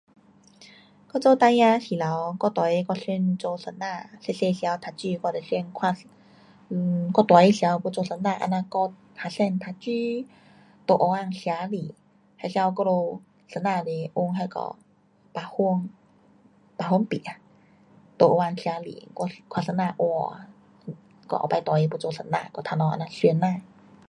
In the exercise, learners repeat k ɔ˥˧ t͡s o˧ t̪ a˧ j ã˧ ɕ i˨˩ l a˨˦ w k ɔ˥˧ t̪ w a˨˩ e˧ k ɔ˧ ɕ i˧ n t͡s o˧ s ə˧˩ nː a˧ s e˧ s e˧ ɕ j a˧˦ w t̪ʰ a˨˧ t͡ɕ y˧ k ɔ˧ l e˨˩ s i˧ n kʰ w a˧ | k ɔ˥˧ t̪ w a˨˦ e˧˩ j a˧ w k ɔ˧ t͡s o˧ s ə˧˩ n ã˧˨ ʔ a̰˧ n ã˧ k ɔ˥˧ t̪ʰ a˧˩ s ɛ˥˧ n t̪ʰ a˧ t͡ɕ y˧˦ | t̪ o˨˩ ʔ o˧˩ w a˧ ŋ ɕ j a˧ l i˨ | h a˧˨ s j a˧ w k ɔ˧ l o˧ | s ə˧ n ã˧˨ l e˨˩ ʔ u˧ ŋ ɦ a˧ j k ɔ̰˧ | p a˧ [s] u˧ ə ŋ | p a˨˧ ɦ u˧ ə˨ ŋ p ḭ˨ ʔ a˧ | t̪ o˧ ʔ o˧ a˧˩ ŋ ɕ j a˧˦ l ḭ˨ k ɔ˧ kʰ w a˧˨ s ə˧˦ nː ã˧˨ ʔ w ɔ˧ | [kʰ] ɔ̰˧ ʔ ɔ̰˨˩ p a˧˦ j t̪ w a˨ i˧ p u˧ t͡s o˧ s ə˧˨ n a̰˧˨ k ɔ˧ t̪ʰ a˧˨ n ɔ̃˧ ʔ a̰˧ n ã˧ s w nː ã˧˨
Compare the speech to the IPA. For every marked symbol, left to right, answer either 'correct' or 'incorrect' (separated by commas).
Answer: incorrect, incorrect